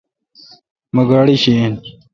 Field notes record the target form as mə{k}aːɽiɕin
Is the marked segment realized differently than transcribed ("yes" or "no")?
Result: yes